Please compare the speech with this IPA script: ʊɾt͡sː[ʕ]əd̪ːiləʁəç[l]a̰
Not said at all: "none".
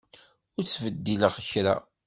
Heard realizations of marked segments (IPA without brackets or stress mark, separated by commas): v, ɾ